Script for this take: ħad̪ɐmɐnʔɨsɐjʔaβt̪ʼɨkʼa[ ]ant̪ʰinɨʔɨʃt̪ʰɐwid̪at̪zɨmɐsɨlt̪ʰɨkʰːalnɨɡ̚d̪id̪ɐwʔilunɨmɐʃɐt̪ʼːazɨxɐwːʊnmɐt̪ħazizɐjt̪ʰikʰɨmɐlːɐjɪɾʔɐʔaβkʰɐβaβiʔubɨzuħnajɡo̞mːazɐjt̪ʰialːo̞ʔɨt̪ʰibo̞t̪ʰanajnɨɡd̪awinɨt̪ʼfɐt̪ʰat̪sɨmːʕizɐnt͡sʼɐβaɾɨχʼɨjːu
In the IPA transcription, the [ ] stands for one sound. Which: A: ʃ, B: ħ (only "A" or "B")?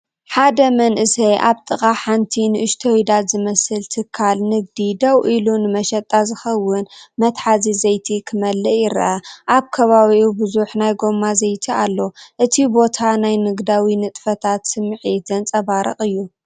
B